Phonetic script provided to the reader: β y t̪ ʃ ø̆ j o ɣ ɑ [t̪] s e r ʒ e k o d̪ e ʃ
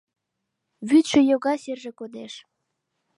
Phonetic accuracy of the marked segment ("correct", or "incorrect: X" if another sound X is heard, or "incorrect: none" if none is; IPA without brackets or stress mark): incorrect: none